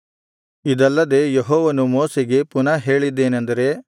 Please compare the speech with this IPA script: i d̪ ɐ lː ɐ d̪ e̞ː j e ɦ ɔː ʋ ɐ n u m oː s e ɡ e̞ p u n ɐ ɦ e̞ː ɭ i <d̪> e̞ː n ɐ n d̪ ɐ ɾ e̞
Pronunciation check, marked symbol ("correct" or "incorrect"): incorrect